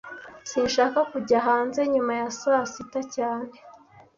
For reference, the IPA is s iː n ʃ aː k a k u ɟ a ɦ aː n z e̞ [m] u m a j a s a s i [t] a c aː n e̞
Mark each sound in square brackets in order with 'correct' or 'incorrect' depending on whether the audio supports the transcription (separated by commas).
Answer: incorrect, correct